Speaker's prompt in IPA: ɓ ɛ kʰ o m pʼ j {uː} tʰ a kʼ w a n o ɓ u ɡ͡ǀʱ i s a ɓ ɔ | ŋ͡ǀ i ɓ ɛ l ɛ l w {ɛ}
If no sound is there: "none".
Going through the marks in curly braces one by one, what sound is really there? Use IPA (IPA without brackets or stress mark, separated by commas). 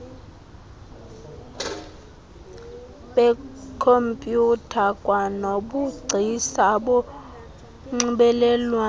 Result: u, a